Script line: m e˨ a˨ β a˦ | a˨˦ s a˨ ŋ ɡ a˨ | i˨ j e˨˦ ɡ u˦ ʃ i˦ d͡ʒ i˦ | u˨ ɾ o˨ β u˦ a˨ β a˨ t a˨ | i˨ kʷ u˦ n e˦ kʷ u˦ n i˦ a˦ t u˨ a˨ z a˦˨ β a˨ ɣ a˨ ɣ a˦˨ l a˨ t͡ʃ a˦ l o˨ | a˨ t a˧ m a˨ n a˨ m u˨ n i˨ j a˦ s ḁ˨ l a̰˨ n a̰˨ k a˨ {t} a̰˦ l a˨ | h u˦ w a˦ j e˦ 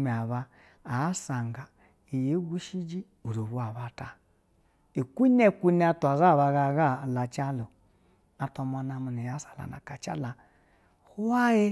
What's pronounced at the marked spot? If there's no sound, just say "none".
t͡ʃ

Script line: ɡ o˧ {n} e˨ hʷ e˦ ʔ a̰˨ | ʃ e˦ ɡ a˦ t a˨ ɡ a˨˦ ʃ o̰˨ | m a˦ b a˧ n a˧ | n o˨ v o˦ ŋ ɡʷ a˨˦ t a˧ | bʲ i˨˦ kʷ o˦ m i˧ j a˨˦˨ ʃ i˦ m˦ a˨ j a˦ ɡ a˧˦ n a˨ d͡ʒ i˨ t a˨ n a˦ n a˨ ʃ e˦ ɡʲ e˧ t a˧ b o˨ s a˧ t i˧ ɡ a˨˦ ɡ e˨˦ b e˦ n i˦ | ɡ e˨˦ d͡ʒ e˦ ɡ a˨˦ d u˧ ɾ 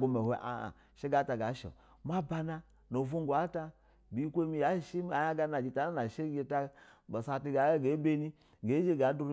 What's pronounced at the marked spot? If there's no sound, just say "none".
m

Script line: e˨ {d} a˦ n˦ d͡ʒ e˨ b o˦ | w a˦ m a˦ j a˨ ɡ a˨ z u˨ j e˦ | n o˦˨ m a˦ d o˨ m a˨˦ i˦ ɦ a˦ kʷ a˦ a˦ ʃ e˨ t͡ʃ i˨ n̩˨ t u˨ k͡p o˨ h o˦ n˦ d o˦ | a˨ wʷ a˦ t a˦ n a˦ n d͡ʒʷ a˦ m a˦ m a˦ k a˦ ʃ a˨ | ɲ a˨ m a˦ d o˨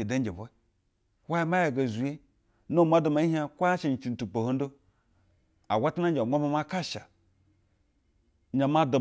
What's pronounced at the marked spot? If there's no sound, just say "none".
d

